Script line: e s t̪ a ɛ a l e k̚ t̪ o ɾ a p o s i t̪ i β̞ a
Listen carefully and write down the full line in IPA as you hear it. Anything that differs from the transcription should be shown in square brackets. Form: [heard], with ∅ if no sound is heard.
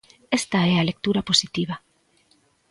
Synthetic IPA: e s t̪ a ɛ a l e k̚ t̪ [u] ɾ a p o s i t̪ i β̞ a